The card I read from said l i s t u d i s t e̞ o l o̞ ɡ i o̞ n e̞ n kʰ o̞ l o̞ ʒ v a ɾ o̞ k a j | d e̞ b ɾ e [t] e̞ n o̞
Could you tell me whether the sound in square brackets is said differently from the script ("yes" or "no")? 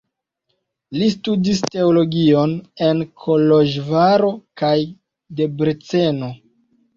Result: yes